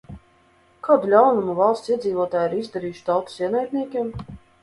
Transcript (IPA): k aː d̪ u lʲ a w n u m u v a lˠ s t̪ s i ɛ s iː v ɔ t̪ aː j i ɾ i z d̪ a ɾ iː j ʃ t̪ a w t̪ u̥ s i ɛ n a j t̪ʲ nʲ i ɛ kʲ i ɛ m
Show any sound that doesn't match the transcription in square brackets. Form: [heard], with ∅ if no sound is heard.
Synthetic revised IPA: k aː d̪ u lʲ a w n u m u v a lˠ s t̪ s i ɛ [z] iː v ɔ t̪ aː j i ɾ i z d̪ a ɾ iː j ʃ t̪ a w t̪ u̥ s i ɛ n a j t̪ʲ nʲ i ɛ kʲ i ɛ m